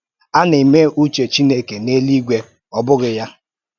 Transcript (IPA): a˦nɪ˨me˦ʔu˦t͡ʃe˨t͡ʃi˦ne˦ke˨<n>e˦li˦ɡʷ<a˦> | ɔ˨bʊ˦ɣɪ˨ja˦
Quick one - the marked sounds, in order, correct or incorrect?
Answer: correct, incorrect

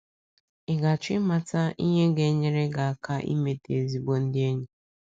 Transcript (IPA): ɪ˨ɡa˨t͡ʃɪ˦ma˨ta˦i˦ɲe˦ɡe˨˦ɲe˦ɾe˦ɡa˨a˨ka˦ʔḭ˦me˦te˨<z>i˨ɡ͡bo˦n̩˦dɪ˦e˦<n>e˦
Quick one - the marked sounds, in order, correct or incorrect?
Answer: correct, incorrect

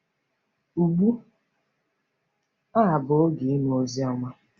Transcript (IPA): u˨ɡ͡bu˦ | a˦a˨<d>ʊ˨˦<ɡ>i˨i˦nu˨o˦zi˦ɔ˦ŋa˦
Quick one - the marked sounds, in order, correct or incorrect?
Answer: incorrect, correct

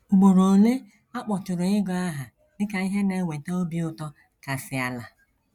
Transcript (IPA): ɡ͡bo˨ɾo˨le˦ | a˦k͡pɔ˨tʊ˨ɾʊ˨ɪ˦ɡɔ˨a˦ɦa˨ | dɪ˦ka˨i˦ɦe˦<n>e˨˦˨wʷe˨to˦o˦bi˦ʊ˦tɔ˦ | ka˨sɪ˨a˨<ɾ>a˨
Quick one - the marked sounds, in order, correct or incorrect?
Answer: correct, incorrect

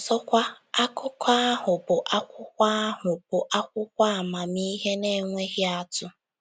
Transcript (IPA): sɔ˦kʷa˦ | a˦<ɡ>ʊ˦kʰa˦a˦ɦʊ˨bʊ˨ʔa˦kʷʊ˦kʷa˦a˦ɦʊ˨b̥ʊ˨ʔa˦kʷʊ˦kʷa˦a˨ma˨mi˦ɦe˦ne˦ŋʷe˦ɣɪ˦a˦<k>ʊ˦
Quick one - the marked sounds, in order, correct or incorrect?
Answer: incorrect, incorrect

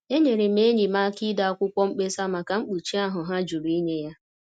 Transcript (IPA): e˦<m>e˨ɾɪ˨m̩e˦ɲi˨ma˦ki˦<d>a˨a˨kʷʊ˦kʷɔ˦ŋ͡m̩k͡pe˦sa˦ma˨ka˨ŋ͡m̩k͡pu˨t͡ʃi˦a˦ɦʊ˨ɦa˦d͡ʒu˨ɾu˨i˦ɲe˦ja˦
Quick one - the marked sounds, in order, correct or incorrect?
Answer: incorrect, correct

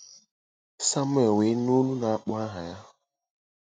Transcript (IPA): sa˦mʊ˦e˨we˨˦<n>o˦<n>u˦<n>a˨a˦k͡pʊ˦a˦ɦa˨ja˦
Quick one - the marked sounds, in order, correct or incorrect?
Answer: correct, correct, correct

